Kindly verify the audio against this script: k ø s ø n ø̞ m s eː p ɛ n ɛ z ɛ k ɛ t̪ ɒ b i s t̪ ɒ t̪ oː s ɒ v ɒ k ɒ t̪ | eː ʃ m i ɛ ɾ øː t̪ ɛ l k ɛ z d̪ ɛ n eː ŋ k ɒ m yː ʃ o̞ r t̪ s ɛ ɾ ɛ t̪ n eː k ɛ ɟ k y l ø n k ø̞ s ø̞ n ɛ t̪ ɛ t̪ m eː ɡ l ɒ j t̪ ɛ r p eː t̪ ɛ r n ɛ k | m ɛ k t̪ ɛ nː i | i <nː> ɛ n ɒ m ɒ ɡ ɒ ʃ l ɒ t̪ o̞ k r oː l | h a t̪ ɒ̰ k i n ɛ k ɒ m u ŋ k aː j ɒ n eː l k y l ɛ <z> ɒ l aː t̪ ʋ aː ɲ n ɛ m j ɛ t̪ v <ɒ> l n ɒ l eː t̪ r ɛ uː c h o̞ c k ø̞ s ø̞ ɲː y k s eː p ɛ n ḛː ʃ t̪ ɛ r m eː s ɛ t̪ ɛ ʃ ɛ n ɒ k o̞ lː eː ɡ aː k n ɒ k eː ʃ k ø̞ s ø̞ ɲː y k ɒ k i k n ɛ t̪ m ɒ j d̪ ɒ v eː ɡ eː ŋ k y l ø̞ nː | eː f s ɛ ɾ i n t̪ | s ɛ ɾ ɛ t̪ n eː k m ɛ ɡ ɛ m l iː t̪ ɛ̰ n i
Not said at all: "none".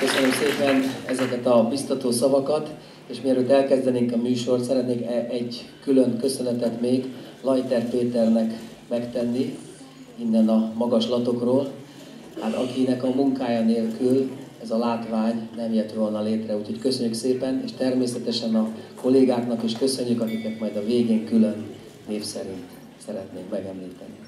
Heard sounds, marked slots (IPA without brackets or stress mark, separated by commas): nː, z, o